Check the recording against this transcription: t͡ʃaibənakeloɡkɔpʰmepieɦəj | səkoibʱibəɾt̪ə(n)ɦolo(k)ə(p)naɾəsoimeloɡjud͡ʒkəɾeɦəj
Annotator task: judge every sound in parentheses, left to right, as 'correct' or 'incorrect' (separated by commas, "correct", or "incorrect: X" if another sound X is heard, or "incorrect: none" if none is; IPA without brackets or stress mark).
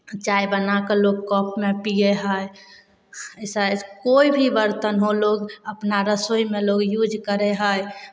correct, incorrect: ɡ, correct